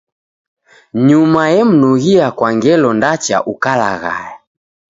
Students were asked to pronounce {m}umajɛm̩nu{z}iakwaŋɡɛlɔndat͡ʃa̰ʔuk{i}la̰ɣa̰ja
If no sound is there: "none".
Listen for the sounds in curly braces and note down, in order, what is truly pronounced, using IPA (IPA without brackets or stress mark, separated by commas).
ɲ, ɣ, a